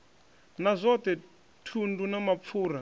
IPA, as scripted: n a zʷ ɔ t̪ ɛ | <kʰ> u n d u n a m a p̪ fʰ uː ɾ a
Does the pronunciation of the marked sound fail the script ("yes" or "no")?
yes